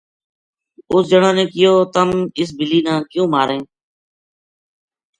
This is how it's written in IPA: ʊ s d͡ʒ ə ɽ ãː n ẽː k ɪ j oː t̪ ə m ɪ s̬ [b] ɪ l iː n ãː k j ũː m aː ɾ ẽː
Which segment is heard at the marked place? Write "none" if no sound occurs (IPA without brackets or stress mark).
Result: b